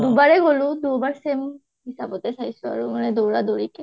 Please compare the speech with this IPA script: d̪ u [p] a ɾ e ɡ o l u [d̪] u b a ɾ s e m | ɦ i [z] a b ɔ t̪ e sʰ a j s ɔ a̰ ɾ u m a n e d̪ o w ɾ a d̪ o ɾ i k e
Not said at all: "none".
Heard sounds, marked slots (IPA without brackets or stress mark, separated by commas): b, d̪, s